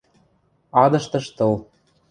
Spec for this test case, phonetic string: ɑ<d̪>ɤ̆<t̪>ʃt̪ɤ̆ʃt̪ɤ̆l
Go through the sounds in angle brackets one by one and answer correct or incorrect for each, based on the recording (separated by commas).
correct, incorrect